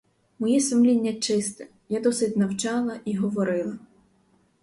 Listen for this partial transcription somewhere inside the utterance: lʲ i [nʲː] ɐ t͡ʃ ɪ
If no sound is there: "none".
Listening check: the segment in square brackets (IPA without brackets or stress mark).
nʲː